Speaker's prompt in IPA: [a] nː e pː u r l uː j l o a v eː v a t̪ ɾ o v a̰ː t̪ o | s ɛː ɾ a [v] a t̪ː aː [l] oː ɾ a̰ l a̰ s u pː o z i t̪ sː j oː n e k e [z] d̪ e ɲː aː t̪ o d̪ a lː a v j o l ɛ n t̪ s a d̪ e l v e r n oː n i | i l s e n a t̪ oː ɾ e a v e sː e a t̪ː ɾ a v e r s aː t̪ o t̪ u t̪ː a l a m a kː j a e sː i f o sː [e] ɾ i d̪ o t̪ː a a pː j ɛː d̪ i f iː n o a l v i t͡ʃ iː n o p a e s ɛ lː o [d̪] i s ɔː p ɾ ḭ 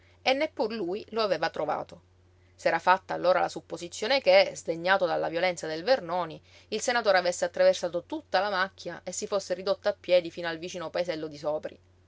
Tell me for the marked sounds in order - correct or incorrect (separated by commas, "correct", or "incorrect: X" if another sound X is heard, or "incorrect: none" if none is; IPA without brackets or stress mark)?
incorrect: e, incorrect: f, incorrect: lː, correct, correct, correct